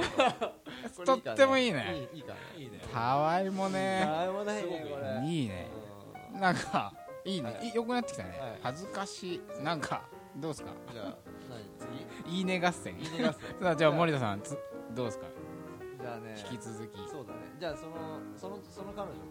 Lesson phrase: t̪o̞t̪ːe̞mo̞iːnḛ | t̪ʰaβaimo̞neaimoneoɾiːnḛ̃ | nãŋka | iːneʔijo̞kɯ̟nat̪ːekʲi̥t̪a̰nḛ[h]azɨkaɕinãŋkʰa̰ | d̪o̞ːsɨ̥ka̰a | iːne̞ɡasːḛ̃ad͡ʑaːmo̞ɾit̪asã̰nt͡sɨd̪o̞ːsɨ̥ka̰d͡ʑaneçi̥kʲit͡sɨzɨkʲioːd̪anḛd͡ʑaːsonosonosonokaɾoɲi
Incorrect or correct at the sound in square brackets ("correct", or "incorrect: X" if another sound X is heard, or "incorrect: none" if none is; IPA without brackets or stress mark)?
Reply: correct